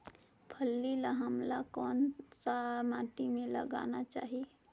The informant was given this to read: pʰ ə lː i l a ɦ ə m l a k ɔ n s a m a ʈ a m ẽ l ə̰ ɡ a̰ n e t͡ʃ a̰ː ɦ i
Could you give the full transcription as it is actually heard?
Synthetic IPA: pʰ ə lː i l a ɦ ə m l a k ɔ n s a m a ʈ i m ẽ l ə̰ ɡ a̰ n a t͡ʃ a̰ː ɦ i